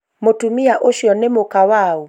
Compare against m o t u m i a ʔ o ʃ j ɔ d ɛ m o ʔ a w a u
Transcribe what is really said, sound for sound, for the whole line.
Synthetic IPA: m o t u m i a ʔ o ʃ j ɔ n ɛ m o k a w a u